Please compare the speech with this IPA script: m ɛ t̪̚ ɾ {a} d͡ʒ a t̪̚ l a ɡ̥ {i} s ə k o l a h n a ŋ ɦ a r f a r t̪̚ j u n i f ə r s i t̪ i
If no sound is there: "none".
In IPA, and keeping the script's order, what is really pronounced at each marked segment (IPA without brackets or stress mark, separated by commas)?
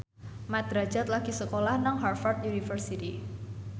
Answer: a, i